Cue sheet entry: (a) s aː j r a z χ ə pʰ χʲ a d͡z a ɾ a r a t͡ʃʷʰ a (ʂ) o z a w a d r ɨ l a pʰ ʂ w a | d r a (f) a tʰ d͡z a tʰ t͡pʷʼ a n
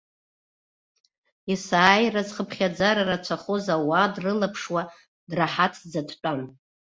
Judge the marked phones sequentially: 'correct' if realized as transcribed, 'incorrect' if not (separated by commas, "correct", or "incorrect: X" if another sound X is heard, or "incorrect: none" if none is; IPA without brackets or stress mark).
incorrect: i, incorrect: χ, incorrect: ħ